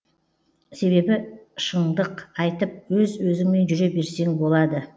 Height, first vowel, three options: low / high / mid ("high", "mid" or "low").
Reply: mid